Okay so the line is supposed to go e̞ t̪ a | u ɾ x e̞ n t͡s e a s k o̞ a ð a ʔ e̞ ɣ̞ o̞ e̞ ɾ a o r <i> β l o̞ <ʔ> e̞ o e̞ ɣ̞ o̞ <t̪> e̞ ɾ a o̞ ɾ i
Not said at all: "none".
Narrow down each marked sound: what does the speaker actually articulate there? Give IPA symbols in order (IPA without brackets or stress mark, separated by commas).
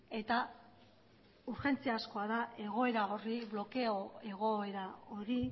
i, k, none